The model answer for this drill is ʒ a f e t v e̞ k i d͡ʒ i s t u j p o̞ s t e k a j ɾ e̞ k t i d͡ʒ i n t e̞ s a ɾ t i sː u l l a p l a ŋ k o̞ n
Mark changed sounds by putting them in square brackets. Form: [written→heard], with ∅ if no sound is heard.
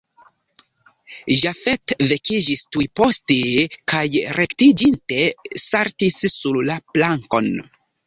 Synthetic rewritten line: ʒ a f e t v e̞ k i d͡ʒ i s t u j p o̞ s t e k a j ɾ e̞ k t i d͡ʒ i n t e̞ s a ɾ t i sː u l l a p l a ŋ k o̞ n